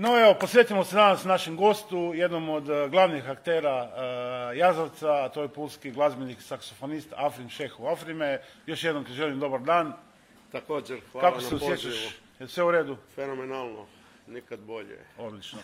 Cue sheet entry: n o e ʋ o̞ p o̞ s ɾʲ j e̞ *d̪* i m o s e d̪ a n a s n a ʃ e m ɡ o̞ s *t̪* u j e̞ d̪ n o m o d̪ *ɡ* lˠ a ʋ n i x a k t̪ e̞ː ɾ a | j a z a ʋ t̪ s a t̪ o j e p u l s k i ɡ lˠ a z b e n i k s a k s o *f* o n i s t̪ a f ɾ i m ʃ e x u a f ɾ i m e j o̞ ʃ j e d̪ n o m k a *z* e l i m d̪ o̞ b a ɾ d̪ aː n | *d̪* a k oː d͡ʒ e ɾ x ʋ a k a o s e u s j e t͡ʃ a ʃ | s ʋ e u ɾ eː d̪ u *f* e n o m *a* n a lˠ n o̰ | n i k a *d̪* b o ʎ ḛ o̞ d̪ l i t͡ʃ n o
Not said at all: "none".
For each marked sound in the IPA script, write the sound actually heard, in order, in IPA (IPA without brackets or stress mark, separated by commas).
t̪, t̪, ɡ, f, ʒ, t̪, f, e, d̪